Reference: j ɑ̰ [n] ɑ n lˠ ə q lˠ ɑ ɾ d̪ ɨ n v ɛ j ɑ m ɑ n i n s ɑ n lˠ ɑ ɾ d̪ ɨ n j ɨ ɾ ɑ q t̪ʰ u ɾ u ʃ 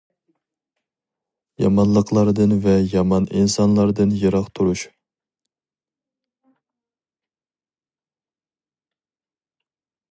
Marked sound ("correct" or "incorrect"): incorrect